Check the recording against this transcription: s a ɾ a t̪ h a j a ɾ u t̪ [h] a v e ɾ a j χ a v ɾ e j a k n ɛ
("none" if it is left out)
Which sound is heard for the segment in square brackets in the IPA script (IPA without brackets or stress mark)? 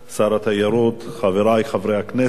χ